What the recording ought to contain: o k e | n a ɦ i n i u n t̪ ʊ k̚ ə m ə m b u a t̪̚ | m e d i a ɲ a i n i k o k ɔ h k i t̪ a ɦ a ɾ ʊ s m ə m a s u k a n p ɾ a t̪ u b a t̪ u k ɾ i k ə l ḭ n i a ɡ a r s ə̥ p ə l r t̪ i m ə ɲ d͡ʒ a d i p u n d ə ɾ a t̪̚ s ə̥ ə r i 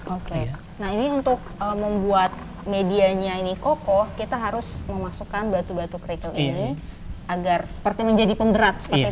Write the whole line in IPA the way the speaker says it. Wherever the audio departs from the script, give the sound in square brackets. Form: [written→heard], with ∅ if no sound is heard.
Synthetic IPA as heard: o k e | n a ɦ i n i u n t̪ ʊ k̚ ə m ə m b u a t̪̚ | m e d i a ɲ a i n i k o k ɔ h k i t̪ a ɦ a ɾ ʊ s m ə m a s u k a n [p→b] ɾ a t̪ u b a t̪ u k ɾ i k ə l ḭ n i a ɡ a r s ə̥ p ə [l→∅] r t̪ i m ə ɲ d͡ʒ a d i p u n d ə ɾ a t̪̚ s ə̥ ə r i